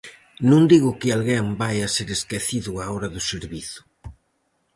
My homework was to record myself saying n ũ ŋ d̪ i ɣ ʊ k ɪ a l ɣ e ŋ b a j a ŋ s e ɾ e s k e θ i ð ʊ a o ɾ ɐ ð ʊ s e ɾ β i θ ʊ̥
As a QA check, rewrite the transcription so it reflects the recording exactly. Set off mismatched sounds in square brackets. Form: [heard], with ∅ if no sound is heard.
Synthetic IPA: n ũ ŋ d̪ i ɣ ʊ k ɪ a l ɣ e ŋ b a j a [∅] s e ɾ e s k e θ i ð ʊ a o ɾ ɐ ð ʊ s e ɾ β i θ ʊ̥